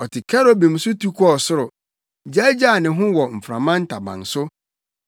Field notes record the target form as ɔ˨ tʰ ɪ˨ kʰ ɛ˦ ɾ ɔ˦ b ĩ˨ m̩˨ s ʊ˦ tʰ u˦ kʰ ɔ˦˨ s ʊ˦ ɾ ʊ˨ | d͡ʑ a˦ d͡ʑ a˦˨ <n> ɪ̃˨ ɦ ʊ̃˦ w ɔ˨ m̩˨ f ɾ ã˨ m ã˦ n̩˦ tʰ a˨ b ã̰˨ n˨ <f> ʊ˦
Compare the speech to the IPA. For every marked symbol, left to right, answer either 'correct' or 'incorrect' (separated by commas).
correct, incorrect